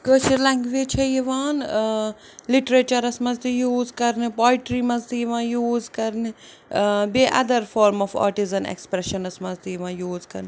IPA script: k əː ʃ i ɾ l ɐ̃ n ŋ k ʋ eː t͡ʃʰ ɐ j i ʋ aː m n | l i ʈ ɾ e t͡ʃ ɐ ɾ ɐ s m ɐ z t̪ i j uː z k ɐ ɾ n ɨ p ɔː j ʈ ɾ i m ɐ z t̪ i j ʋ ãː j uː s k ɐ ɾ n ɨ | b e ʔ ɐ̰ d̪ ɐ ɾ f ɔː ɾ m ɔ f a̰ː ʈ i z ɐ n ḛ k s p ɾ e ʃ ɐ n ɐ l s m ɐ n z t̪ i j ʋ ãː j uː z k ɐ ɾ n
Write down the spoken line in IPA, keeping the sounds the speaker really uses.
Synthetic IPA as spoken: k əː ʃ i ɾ l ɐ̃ ŋ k ʋ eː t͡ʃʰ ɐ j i ʋ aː n | l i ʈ ɾ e t͡ʃ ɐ ɾ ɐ s m ɐ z t̪ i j uː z k ɐ ɾ n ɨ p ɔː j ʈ ɾ i m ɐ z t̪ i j ʋ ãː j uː z k ɐ ɾ n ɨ | b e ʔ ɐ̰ d̪ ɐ ɾ f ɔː ɾ m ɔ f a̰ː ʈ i z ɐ n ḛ k s p ɾ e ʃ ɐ n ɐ s m ɐ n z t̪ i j ʋ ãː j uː z k ɐ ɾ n